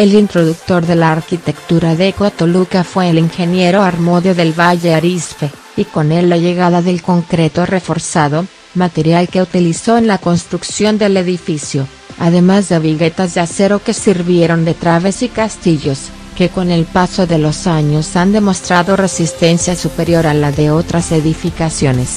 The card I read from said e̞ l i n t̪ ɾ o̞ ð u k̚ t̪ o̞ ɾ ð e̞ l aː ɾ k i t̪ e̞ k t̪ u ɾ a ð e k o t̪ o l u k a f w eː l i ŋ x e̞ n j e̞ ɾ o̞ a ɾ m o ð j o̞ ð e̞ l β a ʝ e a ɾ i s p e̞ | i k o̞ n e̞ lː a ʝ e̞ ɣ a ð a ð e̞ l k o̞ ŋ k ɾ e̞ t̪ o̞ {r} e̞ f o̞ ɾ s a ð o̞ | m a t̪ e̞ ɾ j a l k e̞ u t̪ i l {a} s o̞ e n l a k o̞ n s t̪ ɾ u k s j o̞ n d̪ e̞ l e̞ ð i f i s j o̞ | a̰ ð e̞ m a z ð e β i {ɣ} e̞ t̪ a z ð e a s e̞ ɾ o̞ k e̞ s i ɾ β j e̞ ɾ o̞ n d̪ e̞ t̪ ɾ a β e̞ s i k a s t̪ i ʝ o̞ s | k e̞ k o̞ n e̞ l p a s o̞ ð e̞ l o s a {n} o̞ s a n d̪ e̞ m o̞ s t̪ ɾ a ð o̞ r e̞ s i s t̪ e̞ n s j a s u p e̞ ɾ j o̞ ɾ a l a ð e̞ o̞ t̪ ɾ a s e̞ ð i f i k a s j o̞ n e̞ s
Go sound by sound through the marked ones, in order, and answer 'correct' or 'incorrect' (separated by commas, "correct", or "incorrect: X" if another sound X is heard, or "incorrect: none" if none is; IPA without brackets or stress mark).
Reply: correct, incorrect: i, correct, incorrect: ɲ